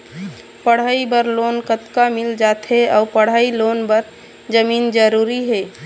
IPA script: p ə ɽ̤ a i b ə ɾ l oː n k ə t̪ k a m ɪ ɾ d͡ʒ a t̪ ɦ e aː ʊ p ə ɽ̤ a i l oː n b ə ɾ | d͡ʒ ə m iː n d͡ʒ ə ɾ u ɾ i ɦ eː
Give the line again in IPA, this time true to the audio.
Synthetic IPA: p ə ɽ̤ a i b ə ɾ l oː n k ə t̪ k a m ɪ l d͡ʒ a t̪ ɦ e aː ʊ p ə ɽ̤ a i l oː n b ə ɾ | d͡ʒ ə m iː n d͡ʒ ə ɾ u ɾ i ɦ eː